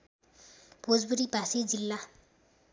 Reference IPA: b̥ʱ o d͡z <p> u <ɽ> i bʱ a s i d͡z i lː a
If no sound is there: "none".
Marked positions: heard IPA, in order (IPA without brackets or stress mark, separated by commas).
b, ɾ